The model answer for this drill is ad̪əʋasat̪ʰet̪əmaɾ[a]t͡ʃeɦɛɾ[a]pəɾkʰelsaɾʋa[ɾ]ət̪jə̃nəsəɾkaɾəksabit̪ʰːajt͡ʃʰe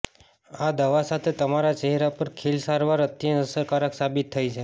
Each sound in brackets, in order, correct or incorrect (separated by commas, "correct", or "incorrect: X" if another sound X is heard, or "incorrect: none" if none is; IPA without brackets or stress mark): correct, correct, correct